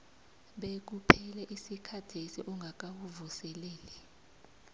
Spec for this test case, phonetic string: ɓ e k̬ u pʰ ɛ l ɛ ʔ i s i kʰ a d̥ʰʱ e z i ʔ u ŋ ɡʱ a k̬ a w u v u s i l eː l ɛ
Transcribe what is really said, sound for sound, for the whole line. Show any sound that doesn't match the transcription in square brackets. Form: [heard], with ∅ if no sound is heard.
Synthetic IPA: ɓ e k̬ u pʰ ɛ l ɛ ʔ i s i kʰ a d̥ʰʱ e [s] i ʔ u ŋ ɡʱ a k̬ a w u v u s [ɛ] l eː l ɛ